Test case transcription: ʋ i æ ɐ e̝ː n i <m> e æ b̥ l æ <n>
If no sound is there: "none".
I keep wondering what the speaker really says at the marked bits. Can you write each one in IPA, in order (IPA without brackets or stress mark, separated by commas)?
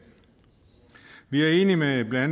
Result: m, n